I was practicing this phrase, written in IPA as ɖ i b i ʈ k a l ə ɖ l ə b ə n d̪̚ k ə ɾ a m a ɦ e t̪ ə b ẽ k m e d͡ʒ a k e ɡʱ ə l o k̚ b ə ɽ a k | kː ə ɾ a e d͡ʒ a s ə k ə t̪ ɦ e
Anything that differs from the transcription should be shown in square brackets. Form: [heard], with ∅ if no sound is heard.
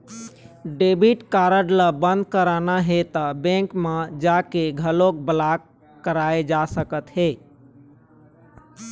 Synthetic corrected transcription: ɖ [e] b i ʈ k a [ɾ] ə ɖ l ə b ə n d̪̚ k ə ɾ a [n] a ɦ e t̪ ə b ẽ k m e d͡ʒ a k e ɡʱ ə l o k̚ b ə [l] a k | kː ə ɾ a e d͡ʒ a s ə k ə t̪ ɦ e